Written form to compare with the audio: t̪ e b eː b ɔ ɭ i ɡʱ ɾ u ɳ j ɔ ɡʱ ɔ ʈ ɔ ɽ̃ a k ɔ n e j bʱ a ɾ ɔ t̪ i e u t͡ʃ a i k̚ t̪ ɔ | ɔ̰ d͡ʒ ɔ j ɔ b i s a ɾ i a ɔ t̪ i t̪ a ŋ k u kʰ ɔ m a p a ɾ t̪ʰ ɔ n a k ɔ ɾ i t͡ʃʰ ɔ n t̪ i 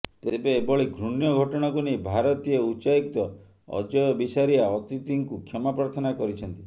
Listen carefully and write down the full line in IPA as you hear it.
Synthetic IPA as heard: t̪ e b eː b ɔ ɭ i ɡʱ ɾ u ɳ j ɔ ɡʱ ɔ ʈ ɔ ɽ̃ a k u n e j bʱ a ɾ ɔ t̪ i e u t͡ʃ a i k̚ t̪ ɔ | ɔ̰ d͡ʒ ɔ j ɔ b i s a ɾ i a ɔ t̪ i t̪ i ŋ k u kʰ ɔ m a p a ɾ t̪ʰ ɔ n a k ɔ ɾ i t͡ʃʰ ɔ n t̪ i

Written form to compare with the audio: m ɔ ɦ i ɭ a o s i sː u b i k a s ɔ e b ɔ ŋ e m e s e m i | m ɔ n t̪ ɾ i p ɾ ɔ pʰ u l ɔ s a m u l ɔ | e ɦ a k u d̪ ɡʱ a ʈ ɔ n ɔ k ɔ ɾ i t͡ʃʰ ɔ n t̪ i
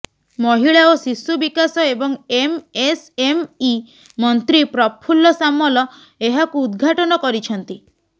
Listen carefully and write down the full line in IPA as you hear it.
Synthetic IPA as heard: m ɔ ɦ i ɭ a o s i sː u b i k a s ɔ e b ɔ ŋ e m e s e m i | m ɔ n t̪ ɾ i p ɾ ɔ pʰ u l ɔ s a m ɔ l ɔ | e ɦ a k uː d̪ ɡʱ a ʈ ɔ n ɔ k ɔ ɾ i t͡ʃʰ ɔ n t̪ i

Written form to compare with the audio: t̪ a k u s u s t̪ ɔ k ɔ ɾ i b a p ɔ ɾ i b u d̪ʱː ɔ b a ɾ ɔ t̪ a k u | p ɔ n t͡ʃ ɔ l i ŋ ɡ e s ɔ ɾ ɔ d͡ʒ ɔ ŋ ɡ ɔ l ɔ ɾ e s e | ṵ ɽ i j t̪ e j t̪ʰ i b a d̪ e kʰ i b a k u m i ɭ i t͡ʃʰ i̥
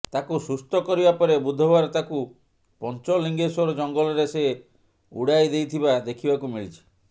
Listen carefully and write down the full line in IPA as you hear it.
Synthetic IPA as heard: t̪ a k u s u s t̪ ɔ k ɔ ɾ i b a p ɔ ɾ e b u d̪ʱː ɔ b a ɾ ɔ t̪ a k u | p ɔ n t͡ʃ ɔ l i ŋ ɡ e s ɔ ɾ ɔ d͡ʒ ɔ ŋ ɡ ɔ l ɔ ɾ e s e | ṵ ɽ a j d̪ e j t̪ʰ i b a d̪ e kʰ i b a k u m i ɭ i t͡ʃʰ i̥

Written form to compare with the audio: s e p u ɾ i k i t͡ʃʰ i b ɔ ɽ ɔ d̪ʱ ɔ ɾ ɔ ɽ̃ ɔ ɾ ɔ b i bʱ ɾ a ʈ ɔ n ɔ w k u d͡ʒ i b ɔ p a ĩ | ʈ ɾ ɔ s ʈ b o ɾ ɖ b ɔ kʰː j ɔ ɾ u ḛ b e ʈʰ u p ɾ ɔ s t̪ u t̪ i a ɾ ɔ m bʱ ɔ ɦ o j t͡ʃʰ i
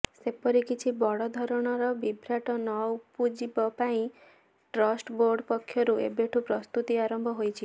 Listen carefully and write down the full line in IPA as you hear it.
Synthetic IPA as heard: s e p ɔ ɾ i k i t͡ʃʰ i b ɔ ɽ ɔ d̪ʱ ɔ ɾ ɔ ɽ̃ ɔ ɾ ɔ b i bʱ ɾ a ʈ ɔ n ɔ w p u d͡ʒ i b ɔ p a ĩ | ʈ ɾ ɔ s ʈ b o ɾ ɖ p ɔ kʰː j ɔ ɾ u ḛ b e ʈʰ u p ɾ ɔ s t̪ u t̪ i a ɾ ɔ m bʱ ɔ ɦ o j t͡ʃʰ i

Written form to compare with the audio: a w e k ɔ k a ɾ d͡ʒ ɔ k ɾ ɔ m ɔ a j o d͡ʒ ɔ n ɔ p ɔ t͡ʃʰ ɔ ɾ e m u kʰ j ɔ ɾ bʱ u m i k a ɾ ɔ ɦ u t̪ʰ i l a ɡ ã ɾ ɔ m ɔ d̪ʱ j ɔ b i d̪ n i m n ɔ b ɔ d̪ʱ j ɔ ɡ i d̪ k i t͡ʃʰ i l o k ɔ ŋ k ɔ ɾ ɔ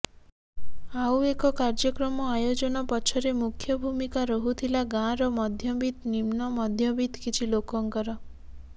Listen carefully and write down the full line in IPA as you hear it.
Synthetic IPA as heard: a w e k ɔ k a ɾ d͡ʒ ɔ k ɾ ɔ m ɔ a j o d͡ʒ ɔ n ɔ p ɔ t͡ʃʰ ɔ ɾ e m u kʰ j ɔ bʱ u m i k a ɾ ɔ ɦ u t̪ʰ i l a ɡ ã ɾ ɔ m ɔ d̪ʱ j ɔ b i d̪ n i m n ɔ m ɔ d̪ʱ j ɔ b i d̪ k i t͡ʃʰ i l o k ɔ ŋ k ɔ ɾ ɔ

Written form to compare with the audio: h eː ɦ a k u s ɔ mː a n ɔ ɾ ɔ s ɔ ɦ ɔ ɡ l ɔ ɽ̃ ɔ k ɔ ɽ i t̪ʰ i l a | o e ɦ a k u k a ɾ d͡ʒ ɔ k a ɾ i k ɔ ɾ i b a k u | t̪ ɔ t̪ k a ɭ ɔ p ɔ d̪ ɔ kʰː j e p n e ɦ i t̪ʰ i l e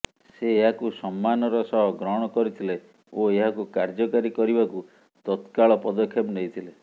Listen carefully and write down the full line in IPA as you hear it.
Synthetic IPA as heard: s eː ɦ a k u s ɔ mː a n ɔ ɾ ɔ s ɔ ɦ ɔ ɡ ɾ ɔ ɽ̃ ɔ k ɔ ɾ i t̪ʰ i l e | o e ɦ a k u k a ɾ d͡ʒ ɔ k a ɾ i k ɔ ɾ i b a k u | t̪ ɔ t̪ k a ɭ ɔ p ɔ d̪ ɔ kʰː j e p n e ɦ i t̪ʰ i l e

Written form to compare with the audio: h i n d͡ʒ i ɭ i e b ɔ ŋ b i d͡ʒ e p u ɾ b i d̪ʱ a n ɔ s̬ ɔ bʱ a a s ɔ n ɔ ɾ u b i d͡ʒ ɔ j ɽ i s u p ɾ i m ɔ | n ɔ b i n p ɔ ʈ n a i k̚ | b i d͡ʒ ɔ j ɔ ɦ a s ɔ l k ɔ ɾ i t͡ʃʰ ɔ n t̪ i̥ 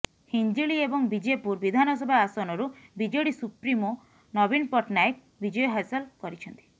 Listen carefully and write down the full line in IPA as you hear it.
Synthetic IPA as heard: h i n d͡ʒ i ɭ i e b ɔ ŋ b i d͡ʒ e p u ɾ b i d̪ʱ a n ɔ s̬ ɔ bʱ a a s ɔ n ɔ ɾ u b i d͡ʒ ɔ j ɽ i s u p ɾ i m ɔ | n ɔ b i n p ɔ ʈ n a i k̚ | b i d͡ʒ ɔ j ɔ ɦ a s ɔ l k ɔ ɾ i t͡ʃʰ ɔ n t̪ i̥

